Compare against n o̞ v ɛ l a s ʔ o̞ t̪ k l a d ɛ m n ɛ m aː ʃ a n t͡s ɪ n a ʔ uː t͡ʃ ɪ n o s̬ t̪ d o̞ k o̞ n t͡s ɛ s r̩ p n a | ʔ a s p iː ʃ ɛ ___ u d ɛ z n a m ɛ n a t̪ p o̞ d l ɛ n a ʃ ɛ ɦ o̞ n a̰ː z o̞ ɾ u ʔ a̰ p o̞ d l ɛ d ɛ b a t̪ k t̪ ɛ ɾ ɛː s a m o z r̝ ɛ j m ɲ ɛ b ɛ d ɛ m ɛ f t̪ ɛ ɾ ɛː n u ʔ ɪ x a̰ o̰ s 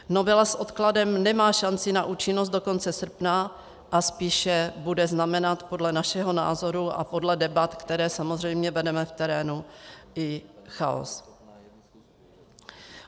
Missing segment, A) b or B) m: A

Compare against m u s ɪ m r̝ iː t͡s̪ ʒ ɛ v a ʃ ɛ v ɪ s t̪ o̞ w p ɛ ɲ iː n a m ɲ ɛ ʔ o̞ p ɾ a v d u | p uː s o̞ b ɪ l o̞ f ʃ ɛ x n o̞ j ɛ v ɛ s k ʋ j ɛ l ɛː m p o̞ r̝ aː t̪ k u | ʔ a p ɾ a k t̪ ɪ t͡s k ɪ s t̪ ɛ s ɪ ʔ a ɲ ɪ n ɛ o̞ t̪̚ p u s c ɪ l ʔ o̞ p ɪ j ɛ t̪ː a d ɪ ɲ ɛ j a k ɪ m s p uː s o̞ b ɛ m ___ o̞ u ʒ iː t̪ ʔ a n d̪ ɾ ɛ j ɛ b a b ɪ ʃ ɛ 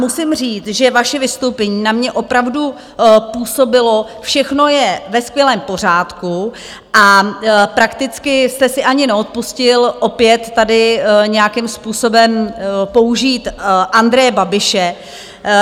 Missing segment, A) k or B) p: B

